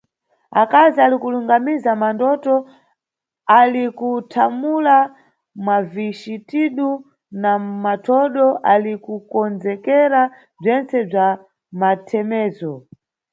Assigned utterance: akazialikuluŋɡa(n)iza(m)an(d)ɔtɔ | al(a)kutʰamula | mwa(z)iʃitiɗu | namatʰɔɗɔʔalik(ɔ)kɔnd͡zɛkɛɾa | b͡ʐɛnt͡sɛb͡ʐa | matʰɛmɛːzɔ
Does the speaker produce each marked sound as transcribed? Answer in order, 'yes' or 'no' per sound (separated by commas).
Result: no, yes, yes, no, no, no